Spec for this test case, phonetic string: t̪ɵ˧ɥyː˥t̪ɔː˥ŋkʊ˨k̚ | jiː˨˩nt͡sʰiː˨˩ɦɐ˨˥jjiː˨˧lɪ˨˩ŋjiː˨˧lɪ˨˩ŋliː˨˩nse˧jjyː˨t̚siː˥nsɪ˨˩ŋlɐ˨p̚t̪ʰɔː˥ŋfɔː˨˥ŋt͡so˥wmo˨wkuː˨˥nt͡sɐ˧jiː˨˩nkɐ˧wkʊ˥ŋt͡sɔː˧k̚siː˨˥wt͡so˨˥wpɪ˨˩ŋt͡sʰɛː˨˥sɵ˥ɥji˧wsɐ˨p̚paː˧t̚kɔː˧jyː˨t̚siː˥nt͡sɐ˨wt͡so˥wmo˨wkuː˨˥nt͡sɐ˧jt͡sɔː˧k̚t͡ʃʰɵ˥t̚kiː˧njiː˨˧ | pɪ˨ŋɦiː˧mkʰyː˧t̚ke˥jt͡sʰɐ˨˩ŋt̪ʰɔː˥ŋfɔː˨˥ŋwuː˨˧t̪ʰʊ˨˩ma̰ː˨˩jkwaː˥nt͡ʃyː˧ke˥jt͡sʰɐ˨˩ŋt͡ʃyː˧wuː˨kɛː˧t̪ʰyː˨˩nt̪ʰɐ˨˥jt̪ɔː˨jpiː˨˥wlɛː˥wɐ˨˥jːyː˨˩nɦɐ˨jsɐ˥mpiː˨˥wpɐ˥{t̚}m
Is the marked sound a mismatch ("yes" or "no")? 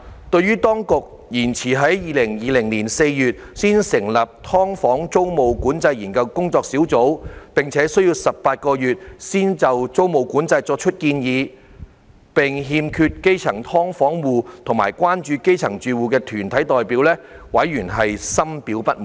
no